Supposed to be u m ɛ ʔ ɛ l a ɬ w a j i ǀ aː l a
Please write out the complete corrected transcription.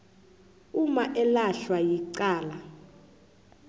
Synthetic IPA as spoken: u m a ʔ ɛ l a ɬ w a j i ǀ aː l a